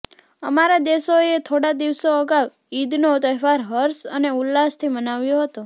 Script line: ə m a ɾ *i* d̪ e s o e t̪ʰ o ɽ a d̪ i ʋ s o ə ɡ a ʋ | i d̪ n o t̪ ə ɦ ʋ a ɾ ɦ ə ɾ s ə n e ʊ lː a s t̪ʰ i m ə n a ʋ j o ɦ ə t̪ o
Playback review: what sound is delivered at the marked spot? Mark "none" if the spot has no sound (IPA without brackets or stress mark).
a